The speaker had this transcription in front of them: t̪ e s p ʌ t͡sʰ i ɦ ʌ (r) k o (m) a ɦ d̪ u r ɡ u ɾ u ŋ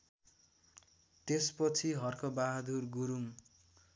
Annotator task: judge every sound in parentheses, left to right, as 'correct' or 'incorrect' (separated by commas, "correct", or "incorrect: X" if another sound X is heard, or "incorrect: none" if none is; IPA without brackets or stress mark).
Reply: correct, incorrect: b